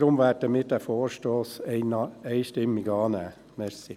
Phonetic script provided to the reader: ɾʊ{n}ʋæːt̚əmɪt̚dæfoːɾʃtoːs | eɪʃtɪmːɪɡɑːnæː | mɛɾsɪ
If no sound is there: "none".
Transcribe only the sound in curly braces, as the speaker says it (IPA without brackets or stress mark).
m